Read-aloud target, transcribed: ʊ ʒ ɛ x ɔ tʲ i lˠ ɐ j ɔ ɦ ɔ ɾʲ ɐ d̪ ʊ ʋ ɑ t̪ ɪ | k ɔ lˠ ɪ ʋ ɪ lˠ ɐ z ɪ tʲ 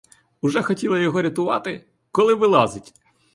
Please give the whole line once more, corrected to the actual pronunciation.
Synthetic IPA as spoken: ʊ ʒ ɛ x ɔ tʲ i lˠ ɐ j ɔ ɦ ɔ ɾʲ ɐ t̪ ʊ ʋ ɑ t̪ ɪ | k ɔ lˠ ɪ ʋ ɪ lˠ ɑ z ɪ tʲ